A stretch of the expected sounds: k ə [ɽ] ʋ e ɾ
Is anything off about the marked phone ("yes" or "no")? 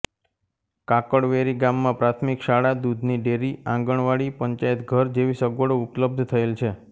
no